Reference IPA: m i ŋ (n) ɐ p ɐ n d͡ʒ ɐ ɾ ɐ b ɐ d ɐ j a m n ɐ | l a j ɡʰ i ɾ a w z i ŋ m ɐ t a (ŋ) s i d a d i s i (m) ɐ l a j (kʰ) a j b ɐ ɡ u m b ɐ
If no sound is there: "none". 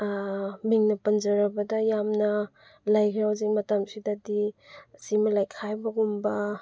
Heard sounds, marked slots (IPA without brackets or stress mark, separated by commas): n, m, m, kʰ